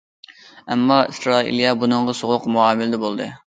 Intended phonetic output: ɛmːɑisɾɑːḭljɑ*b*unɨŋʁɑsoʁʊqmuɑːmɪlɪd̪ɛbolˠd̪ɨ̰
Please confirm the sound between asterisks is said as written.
yes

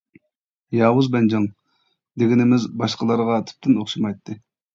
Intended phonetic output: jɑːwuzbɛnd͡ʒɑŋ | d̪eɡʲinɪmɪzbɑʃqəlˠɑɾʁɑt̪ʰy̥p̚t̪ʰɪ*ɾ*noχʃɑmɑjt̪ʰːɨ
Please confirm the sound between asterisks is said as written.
no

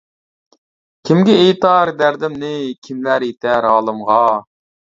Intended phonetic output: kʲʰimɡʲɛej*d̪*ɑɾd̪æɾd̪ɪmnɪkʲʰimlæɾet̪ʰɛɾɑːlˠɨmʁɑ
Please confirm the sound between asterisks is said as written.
no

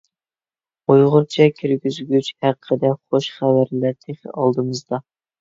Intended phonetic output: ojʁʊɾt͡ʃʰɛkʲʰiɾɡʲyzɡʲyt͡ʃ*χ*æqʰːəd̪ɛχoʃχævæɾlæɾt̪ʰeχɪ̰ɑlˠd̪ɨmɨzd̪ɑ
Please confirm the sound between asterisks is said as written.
no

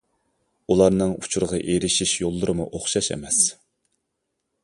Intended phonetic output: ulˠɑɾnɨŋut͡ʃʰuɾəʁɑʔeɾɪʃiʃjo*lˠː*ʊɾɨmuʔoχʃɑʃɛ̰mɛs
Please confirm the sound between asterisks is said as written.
yes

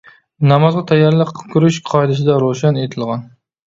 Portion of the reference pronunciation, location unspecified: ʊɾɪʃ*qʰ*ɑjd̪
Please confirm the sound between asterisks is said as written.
yes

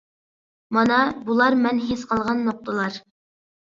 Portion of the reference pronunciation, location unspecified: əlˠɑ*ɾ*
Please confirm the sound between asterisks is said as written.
yes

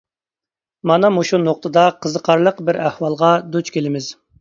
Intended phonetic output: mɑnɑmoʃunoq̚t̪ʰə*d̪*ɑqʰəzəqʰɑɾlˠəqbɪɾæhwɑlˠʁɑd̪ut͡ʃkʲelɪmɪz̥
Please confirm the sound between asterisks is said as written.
yes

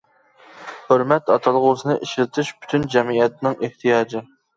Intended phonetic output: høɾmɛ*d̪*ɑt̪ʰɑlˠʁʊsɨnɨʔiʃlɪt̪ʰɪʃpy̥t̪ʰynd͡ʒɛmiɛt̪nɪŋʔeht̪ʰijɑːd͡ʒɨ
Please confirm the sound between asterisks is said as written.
no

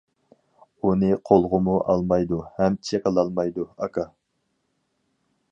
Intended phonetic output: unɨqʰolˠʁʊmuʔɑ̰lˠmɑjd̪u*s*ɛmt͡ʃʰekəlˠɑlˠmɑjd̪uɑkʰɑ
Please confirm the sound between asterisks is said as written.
no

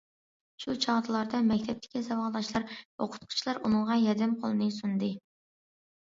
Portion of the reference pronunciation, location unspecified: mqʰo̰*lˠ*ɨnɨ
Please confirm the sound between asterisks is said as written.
yes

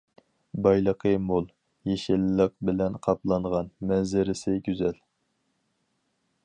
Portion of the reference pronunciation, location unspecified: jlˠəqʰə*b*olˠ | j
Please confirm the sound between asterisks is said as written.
no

